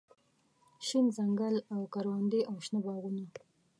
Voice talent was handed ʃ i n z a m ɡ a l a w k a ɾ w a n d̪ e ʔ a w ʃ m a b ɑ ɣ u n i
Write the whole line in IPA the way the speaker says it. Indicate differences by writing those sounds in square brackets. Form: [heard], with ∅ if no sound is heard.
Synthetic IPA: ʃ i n z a [ŋ] ɡ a l a w k a ɾ w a n d̪ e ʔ a w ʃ [n] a b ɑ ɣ u n [a]